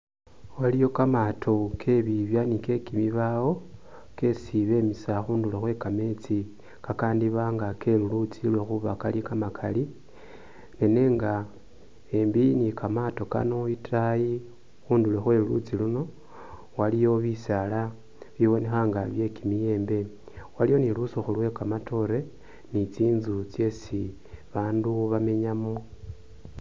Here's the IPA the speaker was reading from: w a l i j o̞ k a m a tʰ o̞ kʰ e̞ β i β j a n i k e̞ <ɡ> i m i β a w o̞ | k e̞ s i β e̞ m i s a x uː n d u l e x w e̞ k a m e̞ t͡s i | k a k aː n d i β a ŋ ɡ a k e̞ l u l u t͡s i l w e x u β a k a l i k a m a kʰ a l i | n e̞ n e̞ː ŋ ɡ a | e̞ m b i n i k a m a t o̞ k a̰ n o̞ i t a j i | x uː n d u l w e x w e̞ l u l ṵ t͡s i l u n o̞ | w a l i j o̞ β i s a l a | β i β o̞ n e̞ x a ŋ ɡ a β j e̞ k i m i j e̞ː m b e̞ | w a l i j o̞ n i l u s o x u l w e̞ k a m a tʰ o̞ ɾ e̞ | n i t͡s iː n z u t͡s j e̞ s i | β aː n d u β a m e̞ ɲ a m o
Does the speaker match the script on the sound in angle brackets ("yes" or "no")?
no